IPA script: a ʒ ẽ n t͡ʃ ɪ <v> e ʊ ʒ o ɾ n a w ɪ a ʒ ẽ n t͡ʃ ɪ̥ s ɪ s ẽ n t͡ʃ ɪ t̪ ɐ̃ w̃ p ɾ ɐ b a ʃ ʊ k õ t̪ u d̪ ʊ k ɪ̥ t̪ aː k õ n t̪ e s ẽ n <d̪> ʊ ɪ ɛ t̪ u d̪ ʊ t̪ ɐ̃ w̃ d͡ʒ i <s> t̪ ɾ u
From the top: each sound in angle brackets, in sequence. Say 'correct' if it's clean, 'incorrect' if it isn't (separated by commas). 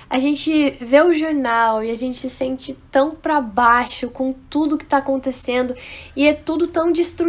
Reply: correct, correct, correct